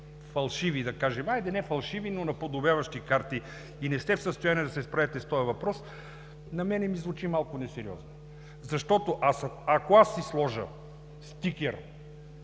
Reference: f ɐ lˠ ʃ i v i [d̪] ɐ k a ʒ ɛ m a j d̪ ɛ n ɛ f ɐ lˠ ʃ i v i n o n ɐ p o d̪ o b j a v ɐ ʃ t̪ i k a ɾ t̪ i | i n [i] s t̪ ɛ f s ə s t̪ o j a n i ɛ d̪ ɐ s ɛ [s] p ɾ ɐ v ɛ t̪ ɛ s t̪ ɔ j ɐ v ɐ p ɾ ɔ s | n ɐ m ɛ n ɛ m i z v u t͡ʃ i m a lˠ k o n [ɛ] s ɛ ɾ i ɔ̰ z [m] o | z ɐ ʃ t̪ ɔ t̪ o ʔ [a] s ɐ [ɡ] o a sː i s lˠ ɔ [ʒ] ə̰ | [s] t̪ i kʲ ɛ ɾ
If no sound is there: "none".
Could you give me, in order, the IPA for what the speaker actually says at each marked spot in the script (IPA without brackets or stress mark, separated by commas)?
d̪, ɛ, s, ɛ, n, a, k, ʒ, s